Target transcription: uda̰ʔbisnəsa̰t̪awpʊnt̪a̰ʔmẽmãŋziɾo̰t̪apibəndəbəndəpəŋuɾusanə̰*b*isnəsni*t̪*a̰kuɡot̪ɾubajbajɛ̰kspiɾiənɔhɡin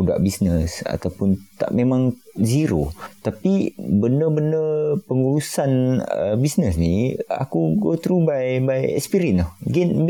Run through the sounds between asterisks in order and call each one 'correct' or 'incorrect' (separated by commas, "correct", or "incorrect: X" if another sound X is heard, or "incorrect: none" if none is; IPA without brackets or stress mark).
correct, incorrect: none